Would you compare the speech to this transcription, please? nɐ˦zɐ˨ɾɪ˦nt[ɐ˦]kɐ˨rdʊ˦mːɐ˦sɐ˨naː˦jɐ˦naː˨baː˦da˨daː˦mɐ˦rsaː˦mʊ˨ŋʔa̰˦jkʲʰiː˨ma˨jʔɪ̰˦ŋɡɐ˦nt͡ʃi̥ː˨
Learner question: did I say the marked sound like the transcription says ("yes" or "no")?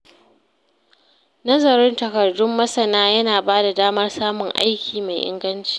no